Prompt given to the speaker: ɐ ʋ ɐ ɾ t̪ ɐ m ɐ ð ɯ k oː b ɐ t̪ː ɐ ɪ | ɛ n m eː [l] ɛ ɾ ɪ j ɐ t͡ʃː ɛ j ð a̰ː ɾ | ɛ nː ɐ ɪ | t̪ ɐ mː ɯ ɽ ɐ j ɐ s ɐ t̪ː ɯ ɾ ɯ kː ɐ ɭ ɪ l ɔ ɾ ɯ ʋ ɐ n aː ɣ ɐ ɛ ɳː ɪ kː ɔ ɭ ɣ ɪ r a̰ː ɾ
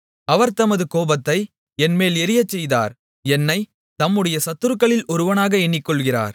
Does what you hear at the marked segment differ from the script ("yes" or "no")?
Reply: no